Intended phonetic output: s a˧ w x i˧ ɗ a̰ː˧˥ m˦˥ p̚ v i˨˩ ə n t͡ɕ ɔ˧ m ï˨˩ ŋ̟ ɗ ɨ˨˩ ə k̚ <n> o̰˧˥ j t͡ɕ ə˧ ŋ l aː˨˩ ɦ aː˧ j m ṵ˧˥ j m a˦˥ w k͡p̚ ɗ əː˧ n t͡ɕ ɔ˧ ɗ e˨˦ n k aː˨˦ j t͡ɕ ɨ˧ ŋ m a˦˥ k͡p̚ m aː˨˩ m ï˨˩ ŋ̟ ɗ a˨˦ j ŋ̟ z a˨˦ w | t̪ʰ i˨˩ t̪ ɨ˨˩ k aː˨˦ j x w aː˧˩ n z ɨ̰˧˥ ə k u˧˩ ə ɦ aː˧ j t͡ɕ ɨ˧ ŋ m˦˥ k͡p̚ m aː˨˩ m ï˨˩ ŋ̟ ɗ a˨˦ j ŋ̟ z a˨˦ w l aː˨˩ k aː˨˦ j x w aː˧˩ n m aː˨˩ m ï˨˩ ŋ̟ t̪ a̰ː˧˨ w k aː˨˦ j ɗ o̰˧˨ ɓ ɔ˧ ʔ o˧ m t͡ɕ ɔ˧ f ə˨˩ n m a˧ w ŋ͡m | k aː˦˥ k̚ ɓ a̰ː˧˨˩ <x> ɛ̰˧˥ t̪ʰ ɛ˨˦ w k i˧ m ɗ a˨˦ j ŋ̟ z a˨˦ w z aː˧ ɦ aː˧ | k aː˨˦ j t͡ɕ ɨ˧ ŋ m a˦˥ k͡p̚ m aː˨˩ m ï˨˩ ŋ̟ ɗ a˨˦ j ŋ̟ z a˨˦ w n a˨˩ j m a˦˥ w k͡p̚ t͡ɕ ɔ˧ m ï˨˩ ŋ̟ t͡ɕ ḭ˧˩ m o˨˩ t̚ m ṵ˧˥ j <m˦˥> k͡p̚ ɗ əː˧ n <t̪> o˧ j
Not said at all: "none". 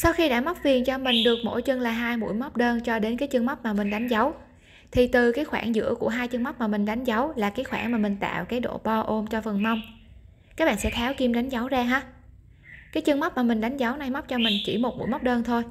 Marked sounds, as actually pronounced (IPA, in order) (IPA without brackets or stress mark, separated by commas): m, s, m˦˥, t̪ʰ